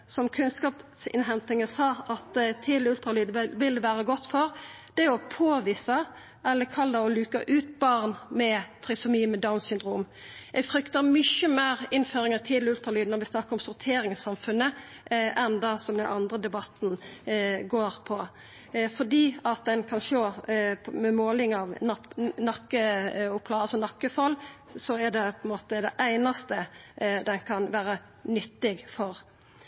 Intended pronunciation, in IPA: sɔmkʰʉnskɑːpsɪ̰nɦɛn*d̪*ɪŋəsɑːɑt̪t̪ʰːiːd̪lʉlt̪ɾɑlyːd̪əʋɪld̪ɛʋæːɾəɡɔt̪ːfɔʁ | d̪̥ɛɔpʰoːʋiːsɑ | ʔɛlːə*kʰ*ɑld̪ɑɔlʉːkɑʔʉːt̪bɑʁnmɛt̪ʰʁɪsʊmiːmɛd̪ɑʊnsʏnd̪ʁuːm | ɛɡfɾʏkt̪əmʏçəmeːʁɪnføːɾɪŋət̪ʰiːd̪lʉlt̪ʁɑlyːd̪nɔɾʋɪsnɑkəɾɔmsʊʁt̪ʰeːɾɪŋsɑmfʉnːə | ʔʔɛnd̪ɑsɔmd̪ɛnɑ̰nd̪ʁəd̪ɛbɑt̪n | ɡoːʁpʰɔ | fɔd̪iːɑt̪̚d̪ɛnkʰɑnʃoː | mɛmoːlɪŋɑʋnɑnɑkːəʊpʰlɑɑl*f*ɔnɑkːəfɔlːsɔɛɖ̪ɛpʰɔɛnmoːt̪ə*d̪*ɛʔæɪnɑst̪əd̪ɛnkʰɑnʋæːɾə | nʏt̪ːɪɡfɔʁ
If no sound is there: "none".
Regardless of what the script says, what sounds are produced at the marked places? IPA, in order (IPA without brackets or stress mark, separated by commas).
t̪, kʰ, s, d̪